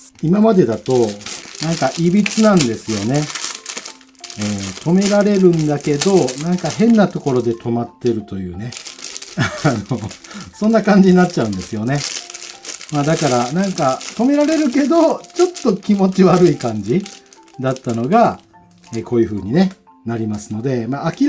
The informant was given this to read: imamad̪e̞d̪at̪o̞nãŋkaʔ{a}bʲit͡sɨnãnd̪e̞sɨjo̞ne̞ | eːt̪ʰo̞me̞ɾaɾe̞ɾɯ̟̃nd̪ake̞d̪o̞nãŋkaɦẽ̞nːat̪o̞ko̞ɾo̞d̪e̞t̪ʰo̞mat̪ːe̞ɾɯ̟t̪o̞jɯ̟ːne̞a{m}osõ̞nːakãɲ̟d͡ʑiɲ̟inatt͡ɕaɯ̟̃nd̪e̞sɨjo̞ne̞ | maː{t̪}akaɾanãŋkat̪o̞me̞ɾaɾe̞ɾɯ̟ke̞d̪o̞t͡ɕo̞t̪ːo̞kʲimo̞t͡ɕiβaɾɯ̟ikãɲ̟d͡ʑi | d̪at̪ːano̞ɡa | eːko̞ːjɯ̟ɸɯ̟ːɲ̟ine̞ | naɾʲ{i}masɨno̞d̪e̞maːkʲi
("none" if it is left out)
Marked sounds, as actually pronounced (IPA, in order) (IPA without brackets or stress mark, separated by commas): i, n, d̪, i